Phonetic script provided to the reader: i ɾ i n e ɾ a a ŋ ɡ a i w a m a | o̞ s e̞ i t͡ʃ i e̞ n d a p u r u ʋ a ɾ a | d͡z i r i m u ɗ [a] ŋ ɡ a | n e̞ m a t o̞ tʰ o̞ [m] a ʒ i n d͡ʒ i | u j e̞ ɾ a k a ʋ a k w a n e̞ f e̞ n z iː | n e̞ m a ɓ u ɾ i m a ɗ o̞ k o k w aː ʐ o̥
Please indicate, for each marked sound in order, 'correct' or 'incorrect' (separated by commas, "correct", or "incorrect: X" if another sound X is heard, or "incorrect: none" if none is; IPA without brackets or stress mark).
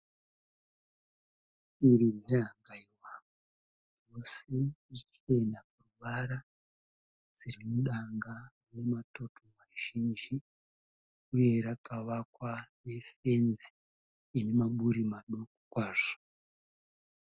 correct, correct